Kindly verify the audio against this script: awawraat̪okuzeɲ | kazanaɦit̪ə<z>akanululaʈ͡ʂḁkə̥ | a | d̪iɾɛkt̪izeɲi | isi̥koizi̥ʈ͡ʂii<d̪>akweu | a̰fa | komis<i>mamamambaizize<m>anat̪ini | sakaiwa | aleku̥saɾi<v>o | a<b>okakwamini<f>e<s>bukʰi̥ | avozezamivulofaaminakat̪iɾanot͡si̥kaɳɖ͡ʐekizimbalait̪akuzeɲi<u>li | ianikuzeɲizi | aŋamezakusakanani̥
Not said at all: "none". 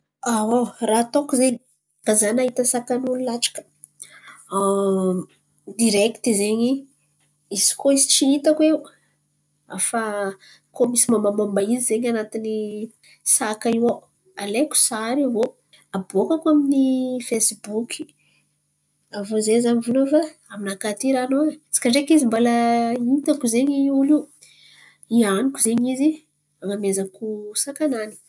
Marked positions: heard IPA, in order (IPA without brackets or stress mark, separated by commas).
s, t̪, i, ɲ, v, b, f, s, u